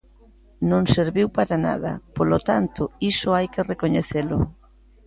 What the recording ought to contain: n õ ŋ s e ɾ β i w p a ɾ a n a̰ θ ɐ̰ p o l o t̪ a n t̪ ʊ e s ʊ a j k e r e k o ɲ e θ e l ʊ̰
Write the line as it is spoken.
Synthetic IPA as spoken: n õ ŋ s e ɾ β i w p a ɾ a n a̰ ð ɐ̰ p o l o t̪ a n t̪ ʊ i s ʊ a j k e r e k o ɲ e θ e l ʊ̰